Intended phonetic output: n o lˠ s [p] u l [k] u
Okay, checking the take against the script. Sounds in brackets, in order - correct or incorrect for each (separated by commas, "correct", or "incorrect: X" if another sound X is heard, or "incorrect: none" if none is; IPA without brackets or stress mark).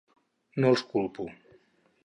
incorrect: k, incorrect: p